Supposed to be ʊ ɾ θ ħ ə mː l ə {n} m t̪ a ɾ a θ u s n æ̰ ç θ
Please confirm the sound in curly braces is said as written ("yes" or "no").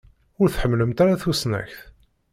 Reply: no